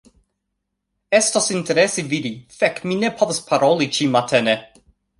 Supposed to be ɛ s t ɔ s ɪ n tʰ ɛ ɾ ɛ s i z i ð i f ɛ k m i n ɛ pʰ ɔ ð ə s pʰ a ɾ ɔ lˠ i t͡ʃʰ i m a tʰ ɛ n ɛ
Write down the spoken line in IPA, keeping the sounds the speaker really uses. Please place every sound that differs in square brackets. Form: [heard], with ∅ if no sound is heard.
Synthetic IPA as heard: ɛ s t ɔ s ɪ n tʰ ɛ ɾ ɛ s i [v] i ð i f ɛ k m i n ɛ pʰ ɔ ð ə s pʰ a ɾ ɔ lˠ i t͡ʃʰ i m a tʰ ɛ n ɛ